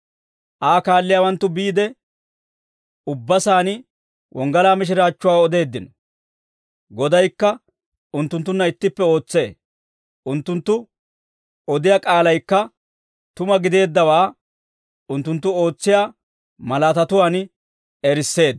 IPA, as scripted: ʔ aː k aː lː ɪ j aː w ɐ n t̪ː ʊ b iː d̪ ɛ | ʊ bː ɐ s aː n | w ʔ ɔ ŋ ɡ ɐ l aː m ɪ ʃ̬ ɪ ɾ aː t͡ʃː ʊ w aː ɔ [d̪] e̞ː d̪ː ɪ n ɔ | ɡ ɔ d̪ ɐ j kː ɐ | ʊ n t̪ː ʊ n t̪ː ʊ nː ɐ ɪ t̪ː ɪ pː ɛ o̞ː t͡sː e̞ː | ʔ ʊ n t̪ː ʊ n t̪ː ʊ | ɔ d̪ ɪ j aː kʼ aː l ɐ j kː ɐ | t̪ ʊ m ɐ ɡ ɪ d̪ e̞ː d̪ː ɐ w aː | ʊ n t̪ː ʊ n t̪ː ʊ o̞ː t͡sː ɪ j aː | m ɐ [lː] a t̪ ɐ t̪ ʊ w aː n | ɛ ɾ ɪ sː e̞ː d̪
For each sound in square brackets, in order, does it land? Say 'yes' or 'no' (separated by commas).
yes, no